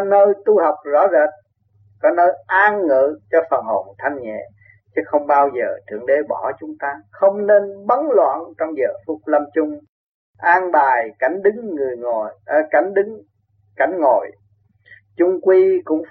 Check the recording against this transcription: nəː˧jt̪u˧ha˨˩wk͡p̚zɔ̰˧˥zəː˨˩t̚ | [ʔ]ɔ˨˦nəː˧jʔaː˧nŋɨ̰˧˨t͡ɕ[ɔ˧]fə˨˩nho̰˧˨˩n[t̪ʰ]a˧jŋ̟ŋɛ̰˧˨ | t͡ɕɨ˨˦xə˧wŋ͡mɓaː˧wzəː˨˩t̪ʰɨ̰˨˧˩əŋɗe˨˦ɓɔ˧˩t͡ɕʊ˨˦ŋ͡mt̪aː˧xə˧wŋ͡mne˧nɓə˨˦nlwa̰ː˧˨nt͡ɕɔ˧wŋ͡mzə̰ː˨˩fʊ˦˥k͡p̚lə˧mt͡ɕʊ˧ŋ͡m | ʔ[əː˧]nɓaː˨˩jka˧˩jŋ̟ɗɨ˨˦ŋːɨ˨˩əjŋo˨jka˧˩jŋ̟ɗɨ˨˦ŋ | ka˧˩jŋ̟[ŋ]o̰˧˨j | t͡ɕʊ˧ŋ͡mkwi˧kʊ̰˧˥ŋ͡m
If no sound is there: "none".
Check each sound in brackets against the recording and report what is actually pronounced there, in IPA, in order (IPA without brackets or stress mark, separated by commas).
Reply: k, ɔ˧, t̪ʰ, aː˧, ŋ